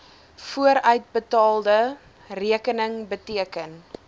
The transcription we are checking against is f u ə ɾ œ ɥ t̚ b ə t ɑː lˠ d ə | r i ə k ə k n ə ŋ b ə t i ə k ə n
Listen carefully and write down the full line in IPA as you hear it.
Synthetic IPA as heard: f u ə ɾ œ ɥ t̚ b ə t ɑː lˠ d ə | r i ə k ə n ə ŋ b ə t i ə k ə n